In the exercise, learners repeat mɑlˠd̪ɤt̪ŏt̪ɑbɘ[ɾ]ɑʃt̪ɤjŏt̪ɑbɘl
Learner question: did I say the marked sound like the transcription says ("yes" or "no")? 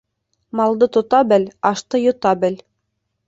no